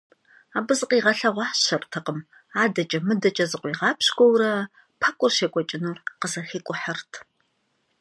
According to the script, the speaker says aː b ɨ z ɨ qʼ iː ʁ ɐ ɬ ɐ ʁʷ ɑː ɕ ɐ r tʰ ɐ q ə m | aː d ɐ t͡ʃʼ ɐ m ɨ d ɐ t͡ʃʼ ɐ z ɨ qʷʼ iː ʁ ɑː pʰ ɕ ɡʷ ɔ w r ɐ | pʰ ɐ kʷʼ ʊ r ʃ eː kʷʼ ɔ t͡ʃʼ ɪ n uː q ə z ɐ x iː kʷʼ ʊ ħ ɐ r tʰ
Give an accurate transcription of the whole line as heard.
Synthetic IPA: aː b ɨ z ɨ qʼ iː ʁ ɐ ɬ ɐ ʁʷ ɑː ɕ ɐ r tʰ ɐ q ə m | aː d ɐ t͡ʃʼ ɐ m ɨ d ɐ t͡ʃʼ ɐ z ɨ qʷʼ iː ʁ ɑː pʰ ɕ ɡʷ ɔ w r ɐ | pʰ ɐ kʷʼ ʊ r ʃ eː kʷʼ ɔ t͡ʃʼ ɪ n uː q ə z ɐ x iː kʷʼ ʊ ħ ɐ r tʰ